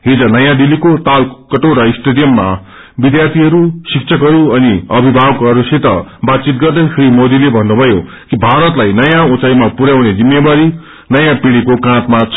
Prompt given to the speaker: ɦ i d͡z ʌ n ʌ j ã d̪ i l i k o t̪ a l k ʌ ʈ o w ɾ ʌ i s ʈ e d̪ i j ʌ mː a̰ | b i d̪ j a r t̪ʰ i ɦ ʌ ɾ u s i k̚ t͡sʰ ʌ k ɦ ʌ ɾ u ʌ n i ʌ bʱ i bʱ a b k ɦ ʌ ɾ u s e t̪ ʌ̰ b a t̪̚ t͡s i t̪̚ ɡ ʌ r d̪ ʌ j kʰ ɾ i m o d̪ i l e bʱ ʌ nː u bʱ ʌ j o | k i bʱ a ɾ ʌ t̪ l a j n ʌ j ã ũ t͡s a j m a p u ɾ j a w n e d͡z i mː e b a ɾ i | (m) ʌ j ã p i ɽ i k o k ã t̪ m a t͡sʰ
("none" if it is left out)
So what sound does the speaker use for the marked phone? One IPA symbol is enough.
n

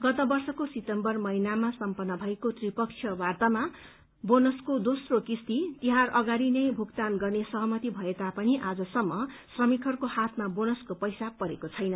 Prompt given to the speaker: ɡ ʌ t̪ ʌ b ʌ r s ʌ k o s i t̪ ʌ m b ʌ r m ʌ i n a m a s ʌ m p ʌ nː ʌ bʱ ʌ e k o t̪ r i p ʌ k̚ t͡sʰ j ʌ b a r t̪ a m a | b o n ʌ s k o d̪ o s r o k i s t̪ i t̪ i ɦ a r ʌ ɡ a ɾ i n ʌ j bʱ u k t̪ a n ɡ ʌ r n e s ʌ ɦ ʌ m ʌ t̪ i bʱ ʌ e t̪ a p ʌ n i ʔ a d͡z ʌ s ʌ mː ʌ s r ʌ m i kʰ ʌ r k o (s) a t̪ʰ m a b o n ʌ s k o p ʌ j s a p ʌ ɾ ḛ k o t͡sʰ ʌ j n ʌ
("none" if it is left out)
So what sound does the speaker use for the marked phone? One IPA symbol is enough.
h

